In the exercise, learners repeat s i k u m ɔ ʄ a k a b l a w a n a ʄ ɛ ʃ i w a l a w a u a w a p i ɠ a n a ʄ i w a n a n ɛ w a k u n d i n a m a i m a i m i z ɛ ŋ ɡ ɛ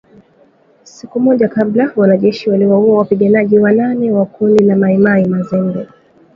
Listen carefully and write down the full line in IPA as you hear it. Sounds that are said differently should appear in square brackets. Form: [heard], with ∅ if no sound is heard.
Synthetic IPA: s i k u m ɔ ʄ a k a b l a w a n a ʄ ɛ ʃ i w a l [i] w a u a w a p i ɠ a n a ʄ i w a n a n ɛ w a k u n d i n a m a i m a i m [a] z ɛ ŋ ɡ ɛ